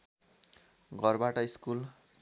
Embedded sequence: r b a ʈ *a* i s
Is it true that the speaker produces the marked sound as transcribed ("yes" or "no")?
no